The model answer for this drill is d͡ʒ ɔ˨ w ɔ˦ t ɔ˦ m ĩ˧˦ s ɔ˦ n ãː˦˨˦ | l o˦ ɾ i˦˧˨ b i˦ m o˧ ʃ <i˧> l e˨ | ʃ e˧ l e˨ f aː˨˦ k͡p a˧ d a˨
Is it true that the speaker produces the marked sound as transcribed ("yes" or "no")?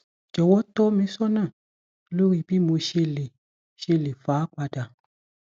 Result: no